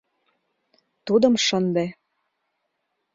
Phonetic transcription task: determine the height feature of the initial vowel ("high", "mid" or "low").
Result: high